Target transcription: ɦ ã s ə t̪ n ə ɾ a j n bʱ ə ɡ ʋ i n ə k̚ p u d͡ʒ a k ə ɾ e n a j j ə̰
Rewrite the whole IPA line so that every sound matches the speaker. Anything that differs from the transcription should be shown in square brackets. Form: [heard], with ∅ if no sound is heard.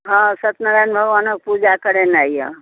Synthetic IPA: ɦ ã s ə t̪ n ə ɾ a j n bʱ ə ɡ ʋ [a] n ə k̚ p u d͡ʒ a k ə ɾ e n a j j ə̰